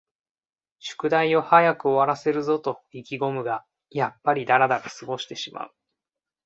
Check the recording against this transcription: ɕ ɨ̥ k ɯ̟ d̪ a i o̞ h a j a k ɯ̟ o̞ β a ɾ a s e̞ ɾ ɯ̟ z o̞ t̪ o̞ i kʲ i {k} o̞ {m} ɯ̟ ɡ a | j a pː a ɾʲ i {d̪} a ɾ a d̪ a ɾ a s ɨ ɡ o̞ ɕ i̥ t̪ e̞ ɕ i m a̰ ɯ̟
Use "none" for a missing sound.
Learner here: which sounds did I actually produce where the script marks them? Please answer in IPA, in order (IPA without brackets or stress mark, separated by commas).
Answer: ɡ, m, d̪